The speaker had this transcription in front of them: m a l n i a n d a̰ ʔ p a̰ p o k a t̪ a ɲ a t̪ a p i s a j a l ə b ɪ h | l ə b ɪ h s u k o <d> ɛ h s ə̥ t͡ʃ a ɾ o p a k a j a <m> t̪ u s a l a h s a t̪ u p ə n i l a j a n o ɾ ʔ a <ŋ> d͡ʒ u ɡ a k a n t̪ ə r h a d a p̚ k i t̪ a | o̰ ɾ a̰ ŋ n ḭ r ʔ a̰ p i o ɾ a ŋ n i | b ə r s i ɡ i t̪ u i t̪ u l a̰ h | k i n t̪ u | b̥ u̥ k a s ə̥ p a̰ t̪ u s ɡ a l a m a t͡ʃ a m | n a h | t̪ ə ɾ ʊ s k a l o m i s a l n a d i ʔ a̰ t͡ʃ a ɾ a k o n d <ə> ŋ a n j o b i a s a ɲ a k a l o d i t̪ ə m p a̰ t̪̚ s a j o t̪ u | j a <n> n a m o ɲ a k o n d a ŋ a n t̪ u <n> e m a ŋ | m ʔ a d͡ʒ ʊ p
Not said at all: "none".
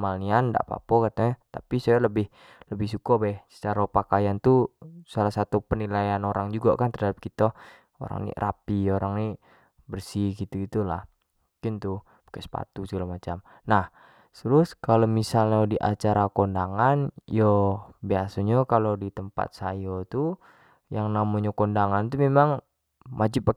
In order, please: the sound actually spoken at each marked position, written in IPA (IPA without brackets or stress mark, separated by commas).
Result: b, n, ŋ, a, ŋ, m